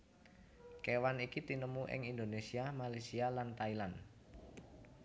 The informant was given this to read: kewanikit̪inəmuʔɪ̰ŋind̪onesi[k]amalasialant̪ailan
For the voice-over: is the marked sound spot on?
no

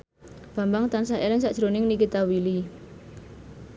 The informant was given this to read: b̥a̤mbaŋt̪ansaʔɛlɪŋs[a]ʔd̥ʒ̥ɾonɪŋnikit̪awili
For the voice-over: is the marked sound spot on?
yes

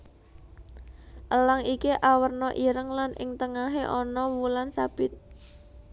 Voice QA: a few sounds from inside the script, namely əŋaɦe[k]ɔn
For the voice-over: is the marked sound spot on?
no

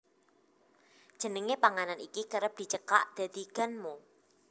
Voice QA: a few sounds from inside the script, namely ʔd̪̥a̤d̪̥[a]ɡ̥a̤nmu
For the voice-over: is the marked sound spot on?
no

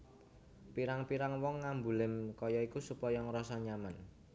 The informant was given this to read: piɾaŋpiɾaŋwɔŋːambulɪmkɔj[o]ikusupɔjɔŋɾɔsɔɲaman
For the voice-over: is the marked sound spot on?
no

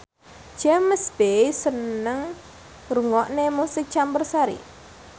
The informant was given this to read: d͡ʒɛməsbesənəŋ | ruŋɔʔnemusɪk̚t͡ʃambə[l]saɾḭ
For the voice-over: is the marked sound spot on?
no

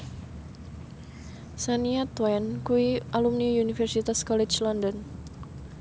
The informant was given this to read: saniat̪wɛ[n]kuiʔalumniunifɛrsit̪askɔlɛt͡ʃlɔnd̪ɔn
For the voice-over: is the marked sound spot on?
yes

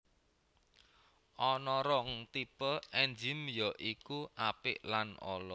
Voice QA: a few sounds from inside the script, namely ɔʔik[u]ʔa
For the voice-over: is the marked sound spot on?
yes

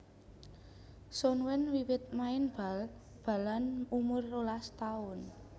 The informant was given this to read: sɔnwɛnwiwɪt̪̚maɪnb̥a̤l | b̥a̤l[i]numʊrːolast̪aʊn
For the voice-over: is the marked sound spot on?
no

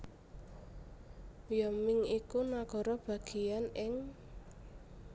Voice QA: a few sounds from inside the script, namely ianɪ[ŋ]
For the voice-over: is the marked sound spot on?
yes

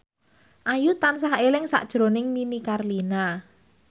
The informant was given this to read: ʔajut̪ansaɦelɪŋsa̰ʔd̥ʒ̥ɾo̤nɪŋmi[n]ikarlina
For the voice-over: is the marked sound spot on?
yes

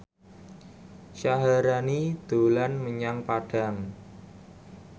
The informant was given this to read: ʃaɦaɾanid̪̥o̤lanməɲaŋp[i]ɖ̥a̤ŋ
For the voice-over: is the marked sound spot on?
no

